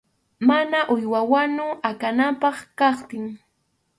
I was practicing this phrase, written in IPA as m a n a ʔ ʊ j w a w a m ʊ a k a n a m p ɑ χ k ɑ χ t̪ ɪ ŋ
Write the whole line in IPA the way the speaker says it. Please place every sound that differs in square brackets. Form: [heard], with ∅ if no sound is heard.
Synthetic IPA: m a n a ʔ ʊ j w a w a [n] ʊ a k a n a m p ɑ χ k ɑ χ t̪ ɪ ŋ